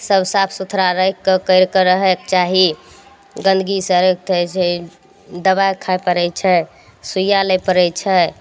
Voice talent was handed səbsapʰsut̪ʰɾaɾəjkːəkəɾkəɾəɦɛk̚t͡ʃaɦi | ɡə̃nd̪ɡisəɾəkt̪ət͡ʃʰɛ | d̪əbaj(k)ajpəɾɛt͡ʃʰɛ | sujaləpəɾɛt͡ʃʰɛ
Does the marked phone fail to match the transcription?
yes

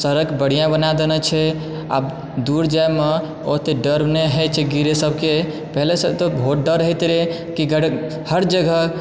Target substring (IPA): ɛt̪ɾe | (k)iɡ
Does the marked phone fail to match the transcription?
no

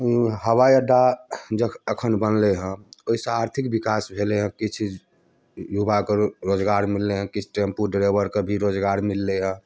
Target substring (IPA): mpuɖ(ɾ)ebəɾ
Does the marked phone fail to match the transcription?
no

